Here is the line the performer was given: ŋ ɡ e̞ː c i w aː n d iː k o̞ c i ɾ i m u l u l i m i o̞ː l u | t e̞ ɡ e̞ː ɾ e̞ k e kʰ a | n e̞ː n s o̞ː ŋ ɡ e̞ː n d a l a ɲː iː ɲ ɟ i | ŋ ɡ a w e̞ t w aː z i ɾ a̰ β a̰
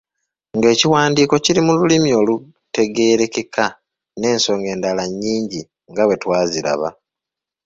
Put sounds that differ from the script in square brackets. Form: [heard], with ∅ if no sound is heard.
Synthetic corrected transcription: ŋ ɡ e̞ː c i w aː n d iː k o̞ c i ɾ i m u l u l i m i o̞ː l u | t e̞ ɡ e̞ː ɾ e̞ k e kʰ a | n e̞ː n s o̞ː ŋ ɡ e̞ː n d a l a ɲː iː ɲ ɟ i | ŋ ɡ a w e̞ t w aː z i ɾ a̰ β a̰